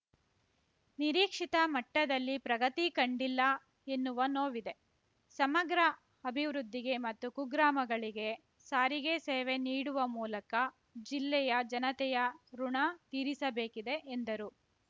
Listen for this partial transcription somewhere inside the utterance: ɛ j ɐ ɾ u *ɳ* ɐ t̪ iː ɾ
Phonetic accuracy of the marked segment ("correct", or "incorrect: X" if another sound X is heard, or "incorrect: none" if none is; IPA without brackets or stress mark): correct